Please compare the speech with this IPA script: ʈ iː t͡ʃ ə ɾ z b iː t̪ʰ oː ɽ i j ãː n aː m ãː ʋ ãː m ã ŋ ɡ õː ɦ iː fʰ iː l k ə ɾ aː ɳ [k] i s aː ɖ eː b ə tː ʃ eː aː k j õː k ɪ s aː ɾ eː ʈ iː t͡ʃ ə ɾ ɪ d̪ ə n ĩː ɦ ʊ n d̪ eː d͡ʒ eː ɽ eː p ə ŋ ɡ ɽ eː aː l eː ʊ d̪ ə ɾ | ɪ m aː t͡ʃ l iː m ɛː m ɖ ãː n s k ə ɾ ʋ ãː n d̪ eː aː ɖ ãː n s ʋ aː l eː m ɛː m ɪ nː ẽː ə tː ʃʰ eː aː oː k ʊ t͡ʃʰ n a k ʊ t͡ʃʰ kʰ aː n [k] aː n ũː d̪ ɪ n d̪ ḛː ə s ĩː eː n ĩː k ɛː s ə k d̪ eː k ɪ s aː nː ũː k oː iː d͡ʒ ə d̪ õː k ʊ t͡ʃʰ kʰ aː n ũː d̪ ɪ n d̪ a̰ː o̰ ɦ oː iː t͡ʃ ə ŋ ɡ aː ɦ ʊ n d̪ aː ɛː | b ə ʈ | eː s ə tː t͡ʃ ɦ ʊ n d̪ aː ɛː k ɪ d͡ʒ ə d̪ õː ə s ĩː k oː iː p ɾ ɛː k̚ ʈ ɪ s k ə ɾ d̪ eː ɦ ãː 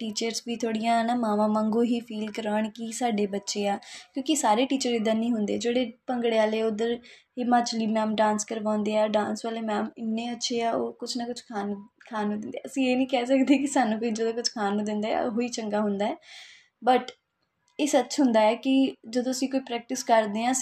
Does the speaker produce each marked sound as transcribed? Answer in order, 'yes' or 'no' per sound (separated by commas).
yes, no